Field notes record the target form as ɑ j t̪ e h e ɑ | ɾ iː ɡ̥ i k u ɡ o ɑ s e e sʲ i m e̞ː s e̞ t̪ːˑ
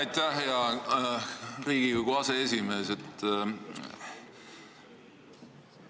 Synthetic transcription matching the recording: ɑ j t̪ æ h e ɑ | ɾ iː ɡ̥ i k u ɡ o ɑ s e e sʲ i m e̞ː s e̞ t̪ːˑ